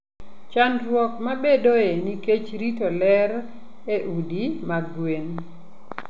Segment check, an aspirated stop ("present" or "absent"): absent